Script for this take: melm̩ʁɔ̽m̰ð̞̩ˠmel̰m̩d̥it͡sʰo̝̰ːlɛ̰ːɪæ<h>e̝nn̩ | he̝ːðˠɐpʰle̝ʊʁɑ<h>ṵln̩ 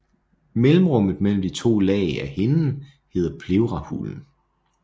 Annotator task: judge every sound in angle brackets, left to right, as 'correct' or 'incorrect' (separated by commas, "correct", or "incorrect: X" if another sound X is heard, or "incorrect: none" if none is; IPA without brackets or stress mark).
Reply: correct, correct